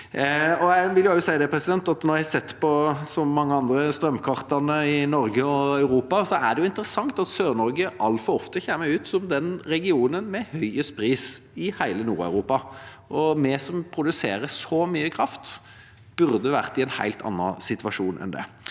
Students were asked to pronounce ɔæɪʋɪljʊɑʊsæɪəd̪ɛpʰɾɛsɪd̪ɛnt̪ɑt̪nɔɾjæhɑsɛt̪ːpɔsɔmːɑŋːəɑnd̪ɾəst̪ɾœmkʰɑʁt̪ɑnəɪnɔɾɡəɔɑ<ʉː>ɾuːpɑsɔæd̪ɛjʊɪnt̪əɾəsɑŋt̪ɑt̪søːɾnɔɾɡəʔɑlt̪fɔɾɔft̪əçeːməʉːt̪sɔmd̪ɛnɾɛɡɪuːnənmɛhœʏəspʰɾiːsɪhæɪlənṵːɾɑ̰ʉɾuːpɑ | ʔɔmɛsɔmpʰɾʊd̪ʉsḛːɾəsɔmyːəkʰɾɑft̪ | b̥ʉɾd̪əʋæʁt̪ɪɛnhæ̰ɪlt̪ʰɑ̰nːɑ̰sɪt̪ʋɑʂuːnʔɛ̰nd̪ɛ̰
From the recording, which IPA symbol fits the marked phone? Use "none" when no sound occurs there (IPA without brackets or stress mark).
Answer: ʉ